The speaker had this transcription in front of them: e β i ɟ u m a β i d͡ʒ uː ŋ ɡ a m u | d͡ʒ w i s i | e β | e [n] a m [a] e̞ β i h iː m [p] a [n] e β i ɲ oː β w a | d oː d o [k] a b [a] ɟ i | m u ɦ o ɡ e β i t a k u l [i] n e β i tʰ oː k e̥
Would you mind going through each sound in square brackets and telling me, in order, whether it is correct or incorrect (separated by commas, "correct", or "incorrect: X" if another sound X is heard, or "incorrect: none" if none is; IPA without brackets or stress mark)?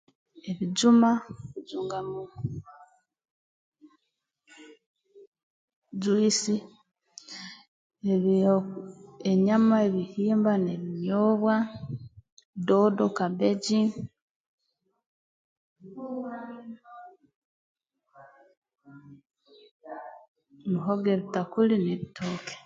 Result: incorrect: ɲ, correct, incorrect: b, correct, correct, incorrect: e, correct